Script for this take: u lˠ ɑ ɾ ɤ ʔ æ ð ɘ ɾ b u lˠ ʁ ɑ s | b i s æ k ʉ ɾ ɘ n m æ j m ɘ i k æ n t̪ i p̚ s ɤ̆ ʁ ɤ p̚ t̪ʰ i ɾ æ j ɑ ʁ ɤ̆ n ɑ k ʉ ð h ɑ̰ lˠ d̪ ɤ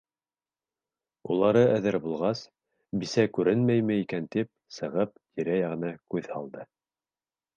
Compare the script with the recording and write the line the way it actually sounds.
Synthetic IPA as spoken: u lˠ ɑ ɾ ɤ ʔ æ ð ɘ ɾ b u lˠ ʁ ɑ s | b i s æ k ʉ ɾ ɘ n m æ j m ɘ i k æ n t̪ i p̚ s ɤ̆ ʁ ɤ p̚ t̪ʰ i ɾ æ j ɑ ʁ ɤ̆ n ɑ k ʉ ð h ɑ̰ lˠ d̪ ɤ